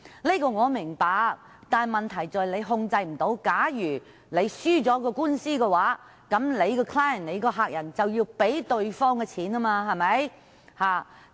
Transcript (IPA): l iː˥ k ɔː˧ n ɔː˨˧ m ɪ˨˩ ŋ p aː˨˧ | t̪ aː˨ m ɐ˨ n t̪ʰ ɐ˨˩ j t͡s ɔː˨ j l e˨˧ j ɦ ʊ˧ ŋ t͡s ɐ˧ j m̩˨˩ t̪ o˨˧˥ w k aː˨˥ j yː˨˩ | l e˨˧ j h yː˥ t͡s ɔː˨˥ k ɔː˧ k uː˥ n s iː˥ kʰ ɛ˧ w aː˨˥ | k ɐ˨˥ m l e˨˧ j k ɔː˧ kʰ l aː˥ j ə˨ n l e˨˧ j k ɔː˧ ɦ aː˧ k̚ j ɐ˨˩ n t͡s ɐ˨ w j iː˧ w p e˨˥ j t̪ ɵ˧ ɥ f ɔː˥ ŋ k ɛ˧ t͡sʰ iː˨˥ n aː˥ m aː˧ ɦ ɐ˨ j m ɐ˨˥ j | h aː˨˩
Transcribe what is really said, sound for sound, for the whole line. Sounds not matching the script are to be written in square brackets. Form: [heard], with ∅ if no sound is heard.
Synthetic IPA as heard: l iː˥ k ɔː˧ [ŋ] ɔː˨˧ m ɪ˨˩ ŋ p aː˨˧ | t̪ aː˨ m ɐ˨ n t̪ʰ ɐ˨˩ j t͡s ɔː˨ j l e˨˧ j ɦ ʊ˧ ŋ t͡s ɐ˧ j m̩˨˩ t̪ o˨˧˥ w k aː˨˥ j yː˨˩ | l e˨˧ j [s] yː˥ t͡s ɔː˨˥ k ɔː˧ k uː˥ n s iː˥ [k] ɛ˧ w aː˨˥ | k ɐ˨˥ m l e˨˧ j k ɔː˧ kʰ l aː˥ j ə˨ n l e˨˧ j k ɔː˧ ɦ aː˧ k̚ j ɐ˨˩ n t͡s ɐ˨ w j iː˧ w p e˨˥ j t̪ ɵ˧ ɥ f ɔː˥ ŋ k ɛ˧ t͡sʰ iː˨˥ n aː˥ m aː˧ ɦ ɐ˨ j m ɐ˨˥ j | h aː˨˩